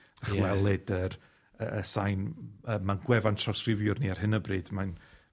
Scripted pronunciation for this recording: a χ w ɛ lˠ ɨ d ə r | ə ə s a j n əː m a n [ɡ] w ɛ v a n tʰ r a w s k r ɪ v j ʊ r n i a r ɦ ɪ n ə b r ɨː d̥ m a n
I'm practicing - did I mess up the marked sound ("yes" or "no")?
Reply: no